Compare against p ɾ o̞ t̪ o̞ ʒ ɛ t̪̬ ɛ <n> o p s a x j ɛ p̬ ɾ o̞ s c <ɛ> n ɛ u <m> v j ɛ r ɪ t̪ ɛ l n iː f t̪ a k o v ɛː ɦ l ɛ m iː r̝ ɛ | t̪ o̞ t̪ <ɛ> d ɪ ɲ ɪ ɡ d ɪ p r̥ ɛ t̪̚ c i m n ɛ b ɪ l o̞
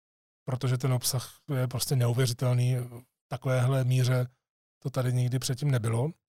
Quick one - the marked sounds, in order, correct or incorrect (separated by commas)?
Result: correct, correct, incorrect, incorrect